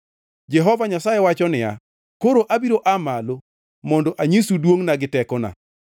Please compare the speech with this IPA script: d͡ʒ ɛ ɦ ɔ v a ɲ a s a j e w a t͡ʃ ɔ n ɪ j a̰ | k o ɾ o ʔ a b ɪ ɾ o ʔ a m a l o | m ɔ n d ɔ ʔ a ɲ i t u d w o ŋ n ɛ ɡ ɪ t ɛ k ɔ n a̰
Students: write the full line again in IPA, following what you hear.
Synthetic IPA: d͡ʒ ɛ ɦ ɔ v a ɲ a s a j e w a t͡ʃ ɔ n ɪ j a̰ | k o ɾ o ʔ a b i ɾ o ʔ a m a l o | m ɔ n d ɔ ʔ a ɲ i s u d w o ŋ n a ɡ ɪ t ɛ k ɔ n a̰